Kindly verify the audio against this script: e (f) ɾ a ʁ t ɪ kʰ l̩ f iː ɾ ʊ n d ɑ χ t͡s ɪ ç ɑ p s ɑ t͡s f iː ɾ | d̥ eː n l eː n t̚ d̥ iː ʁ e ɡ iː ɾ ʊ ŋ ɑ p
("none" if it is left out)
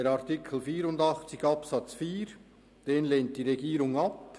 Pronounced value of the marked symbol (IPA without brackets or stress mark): none